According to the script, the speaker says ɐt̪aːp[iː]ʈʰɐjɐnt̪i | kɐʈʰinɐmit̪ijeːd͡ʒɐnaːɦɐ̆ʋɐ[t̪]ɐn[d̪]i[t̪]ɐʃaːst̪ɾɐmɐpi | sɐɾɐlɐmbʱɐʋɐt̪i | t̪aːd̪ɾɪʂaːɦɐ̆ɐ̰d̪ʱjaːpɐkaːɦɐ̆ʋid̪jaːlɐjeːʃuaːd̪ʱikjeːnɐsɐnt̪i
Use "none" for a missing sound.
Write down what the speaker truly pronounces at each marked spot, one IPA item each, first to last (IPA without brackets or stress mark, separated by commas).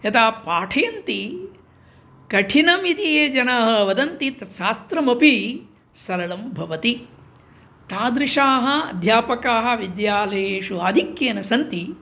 aː, d̪, t̪, t̪